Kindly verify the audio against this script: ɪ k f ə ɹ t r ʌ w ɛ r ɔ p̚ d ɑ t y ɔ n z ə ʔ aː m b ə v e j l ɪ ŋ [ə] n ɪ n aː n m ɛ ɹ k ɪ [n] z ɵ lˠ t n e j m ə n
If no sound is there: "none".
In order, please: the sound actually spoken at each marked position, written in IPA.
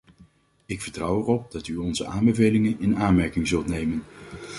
ə, ŋ

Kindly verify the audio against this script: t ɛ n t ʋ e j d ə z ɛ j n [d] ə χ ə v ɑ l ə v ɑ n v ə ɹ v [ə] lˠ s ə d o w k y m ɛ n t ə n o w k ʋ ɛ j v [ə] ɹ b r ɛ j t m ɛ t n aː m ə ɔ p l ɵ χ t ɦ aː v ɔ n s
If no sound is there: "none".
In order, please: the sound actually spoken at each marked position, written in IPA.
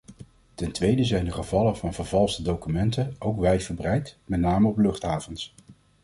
d, ɑ, ə

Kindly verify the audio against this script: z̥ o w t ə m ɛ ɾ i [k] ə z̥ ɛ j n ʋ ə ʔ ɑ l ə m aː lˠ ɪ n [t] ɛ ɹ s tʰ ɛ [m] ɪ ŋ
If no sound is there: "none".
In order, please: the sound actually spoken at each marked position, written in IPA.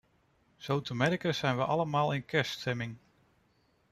k, k, m

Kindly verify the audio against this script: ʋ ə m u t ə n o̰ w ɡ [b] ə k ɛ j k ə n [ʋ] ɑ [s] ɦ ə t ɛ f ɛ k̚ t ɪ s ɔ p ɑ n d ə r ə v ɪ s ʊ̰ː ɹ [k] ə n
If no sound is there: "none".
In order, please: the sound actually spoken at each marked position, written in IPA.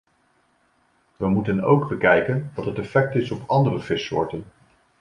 b, ʋ, t, t

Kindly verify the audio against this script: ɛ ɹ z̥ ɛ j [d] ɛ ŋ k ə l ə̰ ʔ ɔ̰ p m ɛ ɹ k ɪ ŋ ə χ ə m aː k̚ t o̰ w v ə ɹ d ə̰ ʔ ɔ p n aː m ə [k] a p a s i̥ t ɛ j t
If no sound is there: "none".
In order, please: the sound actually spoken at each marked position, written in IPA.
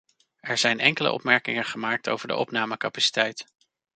n, k

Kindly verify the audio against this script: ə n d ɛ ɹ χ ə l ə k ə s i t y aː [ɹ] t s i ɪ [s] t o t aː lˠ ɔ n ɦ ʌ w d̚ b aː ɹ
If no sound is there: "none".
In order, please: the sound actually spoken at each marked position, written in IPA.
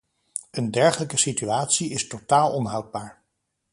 none, s

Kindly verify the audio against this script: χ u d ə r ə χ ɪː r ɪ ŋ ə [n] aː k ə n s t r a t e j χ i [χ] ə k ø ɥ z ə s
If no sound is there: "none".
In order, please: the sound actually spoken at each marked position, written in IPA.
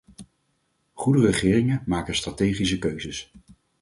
m, s

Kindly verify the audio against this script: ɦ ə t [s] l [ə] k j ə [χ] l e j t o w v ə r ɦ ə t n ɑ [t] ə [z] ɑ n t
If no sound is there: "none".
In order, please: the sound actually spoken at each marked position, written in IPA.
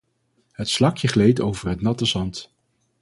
s, ɑ, χ, t, z

